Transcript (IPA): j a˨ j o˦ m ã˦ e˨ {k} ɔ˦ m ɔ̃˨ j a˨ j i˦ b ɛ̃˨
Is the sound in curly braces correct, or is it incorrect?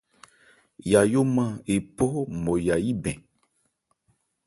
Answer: incorrect